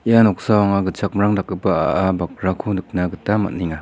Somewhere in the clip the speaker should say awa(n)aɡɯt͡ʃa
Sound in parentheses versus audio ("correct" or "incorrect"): incorrect